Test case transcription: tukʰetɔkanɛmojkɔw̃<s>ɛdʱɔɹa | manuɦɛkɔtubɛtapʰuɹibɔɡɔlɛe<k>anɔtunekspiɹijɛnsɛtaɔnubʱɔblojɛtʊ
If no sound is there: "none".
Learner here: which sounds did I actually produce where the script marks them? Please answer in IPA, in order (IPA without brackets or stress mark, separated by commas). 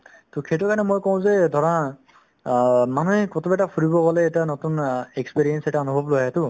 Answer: z, t